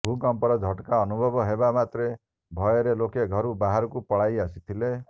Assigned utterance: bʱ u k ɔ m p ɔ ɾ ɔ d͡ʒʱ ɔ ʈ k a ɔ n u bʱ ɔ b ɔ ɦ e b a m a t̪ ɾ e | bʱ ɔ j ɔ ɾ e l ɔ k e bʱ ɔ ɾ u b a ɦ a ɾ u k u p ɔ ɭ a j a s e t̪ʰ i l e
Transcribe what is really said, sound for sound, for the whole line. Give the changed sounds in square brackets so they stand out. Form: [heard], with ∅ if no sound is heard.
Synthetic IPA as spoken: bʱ u k ɔ m p ɔ ɾ ɔ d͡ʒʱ ɔ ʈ k a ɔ n u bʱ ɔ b ɔ ɦ e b a m a t̪ ɾ e | bʱ ɔ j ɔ ɾ e l [o] k e [ɡʱ] ɔ ɾ u b a ɦ a ɾ [ɔ] k u p ɔ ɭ a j a s [i] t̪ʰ i l e

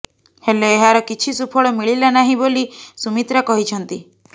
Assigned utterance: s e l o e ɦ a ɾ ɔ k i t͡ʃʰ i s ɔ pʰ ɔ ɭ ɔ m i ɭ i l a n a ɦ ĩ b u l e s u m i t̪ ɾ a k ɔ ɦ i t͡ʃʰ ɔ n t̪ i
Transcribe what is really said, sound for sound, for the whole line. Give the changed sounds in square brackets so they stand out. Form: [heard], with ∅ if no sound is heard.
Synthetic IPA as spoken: [h] e l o e ɦ a ɾ ɔ k i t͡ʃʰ i s [u] pʰ ɔ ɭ ɔ m i ɭ i l a n a ɦ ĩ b [o] l [i] s u m i t̪ ɾ a k ɔ ɦ i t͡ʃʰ ɔ n t̪ i

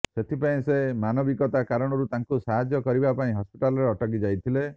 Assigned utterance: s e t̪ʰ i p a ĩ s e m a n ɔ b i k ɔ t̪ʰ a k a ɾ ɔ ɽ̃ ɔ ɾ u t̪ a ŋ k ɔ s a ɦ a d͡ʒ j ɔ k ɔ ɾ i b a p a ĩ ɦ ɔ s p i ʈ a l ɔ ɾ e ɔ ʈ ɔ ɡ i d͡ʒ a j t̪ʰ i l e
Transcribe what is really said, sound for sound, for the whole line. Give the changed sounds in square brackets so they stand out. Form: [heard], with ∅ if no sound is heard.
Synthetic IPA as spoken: s e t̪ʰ i p a ĩ s e m a n ɔ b i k ɔ [t̪] a k a ɾ ɔ ɽ̃ ɔ ɾ u t̪ a ŋ k [u] s a ɦ a d͡ʒ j ɔ k ɔ ɾ i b a p a ĩ ɦ ɔ s p i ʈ a l ɔ ɾ e ɔ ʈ ɔ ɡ i d͡ʒ a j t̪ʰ i l e

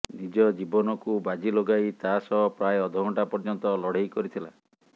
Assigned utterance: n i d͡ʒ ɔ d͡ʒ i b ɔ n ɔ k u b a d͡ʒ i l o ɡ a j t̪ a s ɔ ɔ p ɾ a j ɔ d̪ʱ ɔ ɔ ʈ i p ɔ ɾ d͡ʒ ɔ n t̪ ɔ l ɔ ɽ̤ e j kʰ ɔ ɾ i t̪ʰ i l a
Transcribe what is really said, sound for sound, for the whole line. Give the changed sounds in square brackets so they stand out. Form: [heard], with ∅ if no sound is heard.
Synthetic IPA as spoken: n i d͡ʒ ɔ d͡ʒ i b ɔ n ɔ k u b a d͡ʒ i l o ɡ a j t̪ a s ɔ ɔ p ɾ a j ɔ d̪ʱ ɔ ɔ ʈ [a] p ɔ ɾ d͡ʒ ɔ n t̪ ɔ l ɔ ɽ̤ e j [k] ɔ ɾ i t̪ʰ i l a

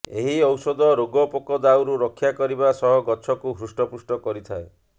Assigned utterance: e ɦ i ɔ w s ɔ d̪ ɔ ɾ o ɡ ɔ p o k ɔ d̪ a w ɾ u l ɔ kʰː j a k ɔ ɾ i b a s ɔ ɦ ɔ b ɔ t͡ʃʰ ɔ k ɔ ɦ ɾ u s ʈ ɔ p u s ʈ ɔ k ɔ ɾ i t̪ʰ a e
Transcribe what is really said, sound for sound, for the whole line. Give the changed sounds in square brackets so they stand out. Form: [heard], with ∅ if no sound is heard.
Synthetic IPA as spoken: e ɦ i ɔ w s ɔ d̪ ɔ ɾ o ɡ ɔ p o k ɔ d̪ a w ɾ u [ɾ] ɔ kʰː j a k ɔ ɾ i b a s ɔ ɦ ɔ [ɡ] ɔ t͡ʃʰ ɔ k [u] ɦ ɾ u s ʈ ɔ p u s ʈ ɔ k ɔ ɾ i t̪ʰ a e

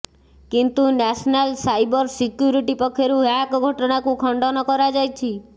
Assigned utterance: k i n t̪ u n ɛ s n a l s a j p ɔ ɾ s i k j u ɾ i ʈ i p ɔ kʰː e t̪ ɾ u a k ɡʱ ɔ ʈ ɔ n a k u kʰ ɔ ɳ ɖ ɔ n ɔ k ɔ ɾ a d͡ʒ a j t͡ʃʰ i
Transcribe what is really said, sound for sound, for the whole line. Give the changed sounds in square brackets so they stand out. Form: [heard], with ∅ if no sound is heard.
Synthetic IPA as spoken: k i n t̪ u n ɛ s n a l s a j [b] ɔ ɾ s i k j u ɾ i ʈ i p ɔ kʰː e [∅] ɾ u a k ɡʱ ɔ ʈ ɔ n a k u kʰ ɔ ɳ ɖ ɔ n ɔ k ɔ ɾ a d͡ʒ a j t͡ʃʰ i

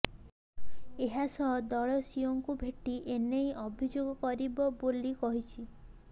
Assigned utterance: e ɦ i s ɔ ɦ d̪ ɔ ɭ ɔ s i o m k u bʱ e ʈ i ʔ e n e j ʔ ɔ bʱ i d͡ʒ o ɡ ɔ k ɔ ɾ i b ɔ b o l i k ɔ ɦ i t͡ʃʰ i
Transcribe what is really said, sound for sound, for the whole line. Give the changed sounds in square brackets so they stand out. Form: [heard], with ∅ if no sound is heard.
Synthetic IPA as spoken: e ɦ [a] s ɔ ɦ d̪ ɔ ɭ ɔ s i o [ŋ] k u bʱ e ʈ i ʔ e n e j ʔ ɔ bʱ i d͡ʒ o ɡ ɔ k ɔ ɾ i b ɔ b o l i k ɔ ɦ i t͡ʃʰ i

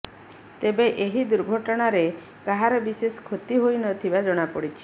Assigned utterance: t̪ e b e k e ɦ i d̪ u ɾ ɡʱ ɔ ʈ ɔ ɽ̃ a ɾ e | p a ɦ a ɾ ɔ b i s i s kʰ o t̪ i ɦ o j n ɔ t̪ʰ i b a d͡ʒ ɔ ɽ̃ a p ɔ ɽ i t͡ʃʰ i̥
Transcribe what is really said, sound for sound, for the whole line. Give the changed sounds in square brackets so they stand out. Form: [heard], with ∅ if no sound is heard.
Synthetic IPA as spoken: t̪ e b e [ʔ] e ɦ i d̪ u ɾ ɡʱ ɔ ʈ ɔ ɽ̃ a ɾ e | [k] a ɦ a ɾ ɔ b i s [e] s kʰ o t̪ i ɦ o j n ɔ t̪ʰ i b a d͡ʒ ɔ ɽ̃ a p ɔ ɽ i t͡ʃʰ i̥

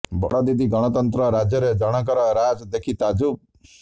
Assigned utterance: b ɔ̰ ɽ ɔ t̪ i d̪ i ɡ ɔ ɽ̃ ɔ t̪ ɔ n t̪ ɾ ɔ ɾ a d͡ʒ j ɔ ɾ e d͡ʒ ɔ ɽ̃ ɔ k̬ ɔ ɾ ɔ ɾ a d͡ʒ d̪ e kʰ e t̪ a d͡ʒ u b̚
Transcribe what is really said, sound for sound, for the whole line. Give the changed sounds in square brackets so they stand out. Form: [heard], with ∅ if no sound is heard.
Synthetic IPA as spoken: b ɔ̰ ɽ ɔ [d̪] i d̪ i ɡ ɔ ɽ̃ ɔ t̪ ɔ n t̪ ɾ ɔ ɾ a d͡ʒ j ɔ ɾ e d͡ʒ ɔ ɽ̃ ɔ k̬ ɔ ɾ ɔ ɾ a d͡ʒ d̪ e kʰ [i] t̪ a d͡ʒ u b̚

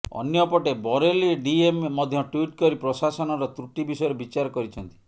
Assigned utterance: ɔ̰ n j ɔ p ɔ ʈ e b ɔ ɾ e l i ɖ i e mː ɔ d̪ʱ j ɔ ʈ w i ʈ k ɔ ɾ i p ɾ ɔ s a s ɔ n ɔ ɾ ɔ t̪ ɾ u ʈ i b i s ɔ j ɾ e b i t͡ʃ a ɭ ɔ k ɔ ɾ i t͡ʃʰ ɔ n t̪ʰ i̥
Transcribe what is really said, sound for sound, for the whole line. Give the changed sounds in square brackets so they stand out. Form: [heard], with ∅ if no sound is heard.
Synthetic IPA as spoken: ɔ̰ n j ɔ p ɔ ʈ e b ɔ ɾ e l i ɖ i e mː ɔ d̪ʱ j ɔ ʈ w i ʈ k ɔ ɾ i p ɾ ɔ s a s ɔ n ɔ ɾ ɔ t̪ ɾ u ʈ i b i s ɔ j ɾ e b i t͡ʃ a [ɾ] ɔ k ɔ ɾ i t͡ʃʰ ɔ n [t̪] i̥

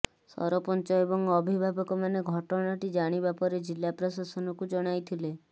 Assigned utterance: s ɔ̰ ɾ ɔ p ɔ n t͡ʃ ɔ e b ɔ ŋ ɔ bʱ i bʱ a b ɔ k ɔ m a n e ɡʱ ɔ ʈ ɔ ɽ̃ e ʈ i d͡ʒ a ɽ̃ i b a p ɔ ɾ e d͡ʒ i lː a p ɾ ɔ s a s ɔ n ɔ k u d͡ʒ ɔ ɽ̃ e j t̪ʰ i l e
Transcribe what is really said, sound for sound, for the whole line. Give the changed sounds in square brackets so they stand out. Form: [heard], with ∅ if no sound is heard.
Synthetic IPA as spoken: s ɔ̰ ɾ ɔ p ɔ n t͡ʃ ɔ e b ɔ ŋ ɔ bʱ i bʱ a b ɔ k ɔ m a n e ɡʱ ɔ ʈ ɔ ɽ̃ [a] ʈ i d͡ʒ a ɽ̃ i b a p ɔ ɾ e d͡ʒ i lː a p ɾ ɔ s a s ɔ n ɔ k u d͡ʒ ɔ ɽ̃ [a] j t̪ʰ i l e

